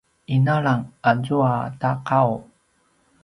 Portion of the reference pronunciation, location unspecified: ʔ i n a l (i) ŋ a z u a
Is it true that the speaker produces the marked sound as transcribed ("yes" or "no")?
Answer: no